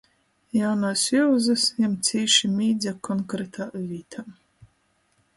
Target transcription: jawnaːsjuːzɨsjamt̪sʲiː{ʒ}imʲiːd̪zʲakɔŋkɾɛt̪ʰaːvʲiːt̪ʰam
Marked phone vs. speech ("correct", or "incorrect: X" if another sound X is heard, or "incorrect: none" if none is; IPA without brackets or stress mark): incorrect: ʃ